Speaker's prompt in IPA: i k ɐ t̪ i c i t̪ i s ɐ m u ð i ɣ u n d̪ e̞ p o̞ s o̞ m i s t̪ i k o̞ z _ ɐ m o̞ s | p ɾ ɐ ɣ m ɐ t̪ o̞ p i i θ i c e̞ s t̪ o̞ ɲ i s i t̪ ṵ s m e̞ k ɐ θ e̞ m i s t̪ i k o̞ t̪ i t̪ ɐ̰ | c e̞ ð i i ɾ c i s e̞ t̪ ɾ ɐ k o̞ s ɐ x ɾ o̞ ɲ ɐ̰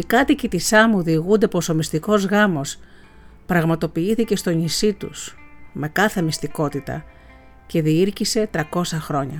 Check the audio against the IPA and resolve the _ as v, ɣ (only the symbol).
ɣ